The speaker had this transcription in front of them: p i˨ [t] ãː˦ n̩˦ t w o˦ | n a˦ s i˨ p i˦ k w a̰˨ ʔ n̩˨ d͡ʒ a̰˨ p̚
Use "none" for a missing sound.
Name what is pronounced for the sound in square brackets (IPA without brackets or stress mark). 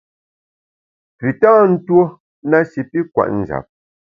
t